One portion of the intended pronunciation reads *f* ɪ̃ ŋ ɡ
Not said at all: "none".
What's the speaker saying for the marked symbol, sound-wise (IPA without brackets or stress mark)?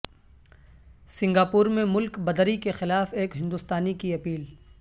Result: s